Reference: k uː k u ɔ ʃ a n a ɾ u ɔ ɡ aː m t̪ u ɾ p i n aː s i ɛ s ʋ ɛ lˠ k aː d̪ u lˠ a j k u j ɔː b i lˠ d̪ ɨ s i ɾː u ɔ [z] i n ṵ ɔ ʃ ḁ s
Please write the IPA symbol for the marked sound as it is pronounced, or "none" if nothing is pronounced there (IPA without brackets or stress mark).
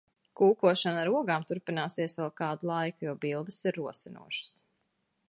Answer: s